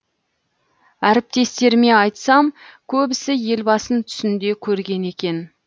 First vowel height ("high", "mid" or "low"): low